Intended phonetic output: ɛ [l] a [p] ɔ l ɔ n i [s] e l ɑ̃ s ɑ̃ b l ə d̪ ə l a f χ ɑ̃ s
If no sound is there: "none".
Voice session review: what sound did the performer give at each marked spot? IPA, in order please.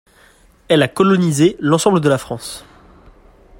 l, k, z

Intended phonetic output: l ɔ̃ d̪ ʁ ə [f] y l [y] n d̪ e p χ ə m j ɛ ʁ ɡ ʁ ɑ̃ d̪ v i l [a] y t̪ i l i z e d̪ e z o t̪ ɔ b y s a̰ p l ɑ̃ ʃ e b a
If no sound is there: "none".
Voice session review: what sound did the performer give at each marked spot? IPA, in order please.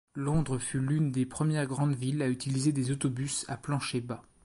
f, y, a

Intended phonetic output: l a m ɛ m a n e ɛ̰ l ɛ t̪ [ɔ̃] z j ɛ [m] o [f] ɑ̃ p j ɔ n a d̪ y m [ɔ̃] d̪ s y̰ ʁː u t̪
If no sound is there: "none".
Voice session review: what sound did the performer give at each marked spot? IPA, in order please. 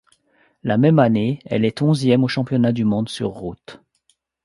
ɔ̃, m, ʃ, ɔ̃

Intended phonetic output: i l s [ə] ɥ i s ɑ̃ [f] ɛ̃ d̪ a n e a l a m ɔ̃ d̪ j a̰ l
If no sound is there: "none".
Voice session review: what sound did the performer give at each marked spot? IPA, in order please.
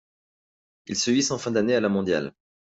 ə, f

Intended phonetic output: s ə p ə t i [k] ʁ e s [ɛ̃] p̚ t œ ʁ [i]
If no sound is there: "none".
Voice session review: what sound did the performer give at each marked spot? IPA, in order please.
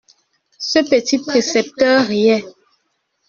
p, ɛ, ɛ

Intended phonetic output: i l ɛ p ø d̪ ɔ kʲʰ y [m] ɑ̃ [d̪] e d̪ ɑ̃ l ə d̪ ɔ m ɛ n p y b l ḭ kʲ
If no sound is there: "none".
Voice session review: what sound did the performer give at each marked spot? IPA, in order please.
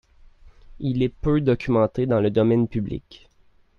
m, t̪

